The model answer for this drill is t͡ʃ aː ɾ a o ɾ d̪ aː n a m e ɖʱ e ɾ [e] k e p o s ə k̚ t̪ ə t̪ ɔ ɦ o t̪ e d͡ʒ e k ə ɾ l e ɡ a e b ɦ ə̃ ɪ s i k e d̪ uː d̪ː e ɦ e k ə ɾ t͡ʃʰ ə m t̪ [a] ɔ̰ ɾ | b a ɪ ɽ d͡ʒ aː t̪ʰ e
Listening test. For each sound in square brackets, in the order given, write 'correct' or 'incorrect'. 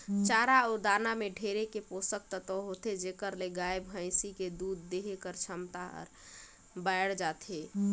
correct, correct

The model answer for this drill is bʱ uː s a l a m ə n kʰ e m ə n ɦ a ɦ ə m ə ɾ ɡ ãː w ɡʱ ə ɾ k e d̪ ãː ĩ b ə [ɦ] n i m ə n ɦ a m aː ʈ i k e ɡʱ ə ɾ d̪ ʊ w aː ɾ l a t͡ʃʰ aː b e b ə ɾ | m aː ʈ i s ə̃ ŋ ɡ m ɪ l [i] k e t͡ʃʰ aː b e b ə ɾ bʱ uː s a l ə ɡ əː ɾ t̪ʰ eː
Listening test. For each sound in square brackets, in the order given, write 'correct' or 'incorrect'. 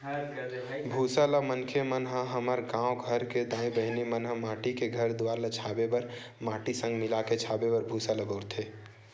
correct, incorrect: a

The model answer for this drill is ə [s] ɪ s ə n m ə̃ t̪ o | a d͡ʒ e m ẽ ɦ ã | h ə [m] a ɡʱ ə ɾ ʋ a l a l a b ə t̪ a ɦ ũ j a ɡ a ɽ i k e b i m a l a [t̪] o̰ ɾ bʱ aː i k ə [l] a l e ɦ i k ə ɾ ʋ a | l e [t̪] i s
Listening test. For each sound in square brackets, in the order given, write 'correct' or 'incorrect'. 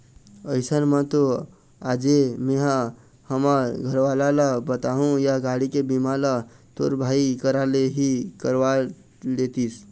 incorrect: none, correct, correct, incorrect: ɾ, correct

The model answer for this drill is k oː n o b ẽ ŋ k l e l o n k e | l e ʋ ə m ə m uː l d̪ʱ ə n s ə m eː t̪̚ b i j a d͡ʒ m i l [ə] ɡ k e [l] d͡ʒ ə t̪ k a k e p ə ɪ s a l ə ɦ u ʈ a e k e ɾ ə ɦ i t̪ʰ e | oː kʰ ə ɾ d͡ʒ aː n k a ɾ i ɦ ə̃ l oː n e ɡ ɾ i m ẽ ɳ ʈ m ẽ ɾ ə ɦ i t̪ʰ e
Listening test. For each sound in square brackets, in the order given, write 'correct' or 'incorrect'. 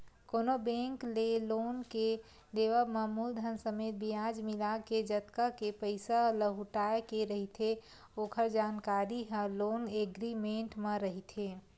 incorrect: a, incorrect: none

